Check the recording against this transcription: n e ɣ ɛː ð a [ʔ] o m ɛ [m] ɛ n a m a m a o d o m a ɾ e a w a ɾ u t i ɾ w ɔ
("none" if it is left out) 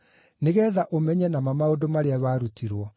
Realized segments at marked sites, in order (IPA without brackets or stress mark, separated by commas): ʔ, ɲ